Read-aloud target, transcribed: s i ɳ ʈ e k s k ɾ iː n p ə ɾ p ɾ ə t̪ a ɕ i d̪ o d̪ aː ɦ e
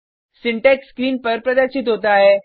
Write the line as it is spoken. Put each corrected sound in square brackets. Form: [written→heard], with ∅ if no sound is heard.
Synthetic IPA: s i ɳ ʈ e k s k ɾ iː n p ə ɾ p ɾ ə [t̪→d̪] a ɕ i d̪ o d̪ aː ɦ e